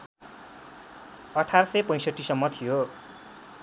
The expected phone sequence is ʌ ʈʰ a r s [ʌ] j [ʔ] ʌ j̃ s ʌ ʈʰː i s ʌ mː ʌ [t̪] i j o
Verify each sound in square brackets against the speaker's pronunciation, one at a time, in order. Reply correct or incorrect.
correct, incorrect, incorrect

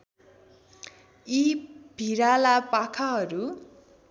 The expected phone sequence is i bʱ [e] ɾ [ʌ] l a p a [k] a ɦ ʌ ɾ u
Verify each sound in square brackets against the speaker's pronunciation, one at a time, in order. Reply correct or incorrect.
incorrect, incorrect, incorrect

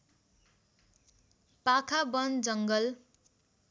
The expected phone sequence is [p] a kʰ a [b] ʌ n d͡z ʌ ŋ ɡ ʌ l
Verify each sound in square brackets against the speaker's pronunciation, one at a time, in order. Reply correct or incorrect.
correct, correct

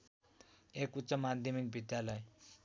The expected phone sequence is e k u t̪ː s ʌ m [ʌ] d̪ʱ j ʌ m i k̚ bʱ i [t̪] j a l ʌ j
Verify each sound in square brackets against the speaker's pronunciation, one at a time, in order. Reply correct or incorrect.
incorrect, incorrect

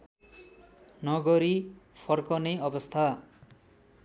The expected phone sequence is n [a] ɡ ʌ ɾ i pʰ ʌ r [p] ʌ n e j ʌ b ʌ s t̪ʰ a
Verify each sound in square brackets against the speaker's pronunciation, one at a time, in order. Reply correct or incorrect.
incorrect, incorrect

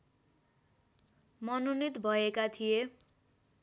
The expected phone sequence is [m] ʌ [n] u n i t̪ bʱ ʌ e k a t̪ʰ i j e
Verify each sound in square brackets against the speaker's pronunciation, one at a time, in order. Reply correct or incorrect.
correct, correct

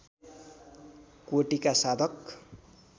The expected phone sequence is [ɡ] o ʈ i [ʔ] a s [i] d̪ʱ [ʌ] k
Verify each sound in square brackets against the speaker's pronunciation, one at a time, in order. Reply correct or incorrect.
incorrect, incorrect, incorrect, correct

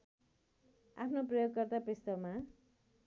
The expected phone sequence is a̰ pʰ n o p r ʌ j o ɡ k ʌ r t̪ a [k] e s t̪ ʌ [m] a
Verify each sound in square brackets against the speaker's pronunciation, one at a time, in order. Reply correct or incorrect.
incorrect, correct

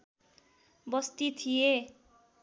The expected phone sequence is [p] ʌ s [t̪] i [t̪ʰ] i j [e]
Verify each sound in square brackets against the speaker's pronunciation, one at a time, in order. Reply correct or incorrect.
incorrect, correct, correct, correct

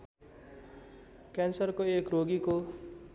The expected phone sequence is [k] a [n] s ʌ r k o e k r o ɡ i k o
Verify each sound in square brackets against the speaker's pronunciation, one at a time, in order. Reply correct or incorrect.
correct, correct

